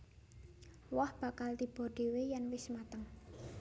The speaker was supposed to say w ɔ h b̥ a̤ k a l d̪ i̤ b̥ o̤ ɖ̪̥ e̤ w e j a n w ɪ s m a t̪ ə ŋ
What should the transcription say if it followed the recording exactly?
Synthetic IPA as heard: w ɔ h b̥ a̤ k a l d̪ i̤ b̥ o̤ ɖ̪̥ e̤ w e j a n w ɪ s m a t̪ ə ŋ